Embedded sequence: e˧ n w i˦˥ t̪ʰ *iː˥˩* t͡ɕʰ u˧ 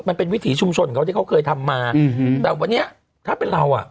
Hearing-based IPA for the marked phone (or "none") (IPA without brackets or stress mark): iː˩˦